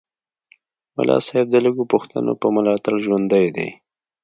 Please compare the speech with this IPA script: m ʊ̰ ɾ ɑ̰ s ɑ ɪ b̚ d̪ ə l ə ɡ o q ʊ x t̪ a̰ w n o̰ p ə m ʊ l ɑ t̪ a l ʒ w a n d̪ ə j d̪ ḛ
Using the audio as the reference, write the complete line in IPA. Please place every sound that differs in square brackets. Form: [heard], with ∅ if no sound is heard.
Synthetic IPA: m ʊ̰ [l] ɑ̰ s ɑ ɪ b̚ d̪ ə l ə ɡ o [p] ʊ x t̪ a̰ [∅] n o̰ p ə m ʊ l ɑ t̪ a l ʒ w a n d̪ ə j d̪ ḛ